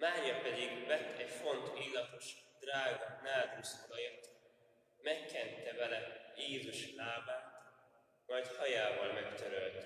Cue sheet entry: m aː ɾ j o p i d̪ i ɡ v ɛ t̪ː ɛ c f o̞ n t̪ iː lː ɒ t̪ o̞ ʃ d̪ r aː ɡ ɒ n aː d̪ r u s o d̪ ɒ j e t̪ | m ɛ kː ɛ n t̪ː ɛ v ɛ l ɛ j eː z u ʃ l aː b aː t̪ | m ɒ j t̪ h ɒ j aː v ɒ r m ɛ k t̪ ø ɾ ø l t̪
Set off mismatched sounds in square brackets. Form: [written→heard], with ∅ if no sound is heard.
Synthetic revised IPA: m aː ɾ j [o→ɒ] p [i→ɛ] d̪ i ɡ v ɛ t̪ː ɛ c f o̞ n t̪ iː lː ɒ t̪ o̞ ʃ d̪ r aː ɡ ɒ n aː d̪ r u s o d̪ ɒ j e t̪ | m ɛ kː ɛ n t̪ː ɛ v ɛ l ɛ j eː z u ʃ l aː b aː t̪ | m ɒ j t̪ h ɒ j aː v ɒ [r→l] m ɛ k t̪ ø ɾ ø l t̪